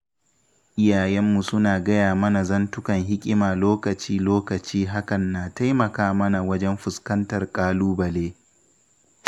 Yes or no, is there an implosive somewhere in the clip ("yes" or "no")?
no